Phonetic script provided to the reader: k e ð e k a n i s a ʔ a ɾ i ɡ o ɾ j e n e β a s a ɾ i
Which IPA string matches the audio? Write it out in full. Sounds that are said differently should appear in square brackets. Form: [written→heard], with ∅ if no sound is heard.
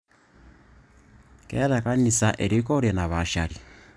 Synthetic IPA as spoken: k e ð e k a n i s a ʔ [a→e] ɾ i [ɡ→k] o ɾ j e n [e→a] β a [s→ʃ] a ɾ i